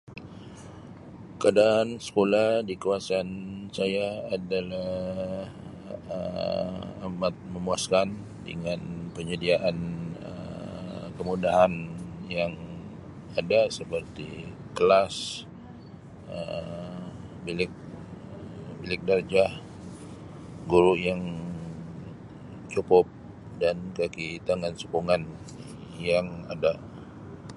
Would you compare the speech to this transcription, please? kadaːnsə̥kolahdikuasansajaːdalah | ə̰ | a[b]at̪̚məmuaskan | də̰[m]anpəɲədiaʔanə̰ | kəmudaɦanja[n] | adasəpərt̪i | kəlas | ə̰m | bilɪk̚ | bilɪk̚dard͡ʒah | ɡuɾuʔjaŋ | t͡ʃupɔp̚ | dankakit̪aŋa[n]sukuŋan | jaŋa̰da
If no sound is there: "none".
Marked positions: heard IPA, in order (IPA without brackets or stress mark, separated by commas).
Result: m, ŋ, ŋ, n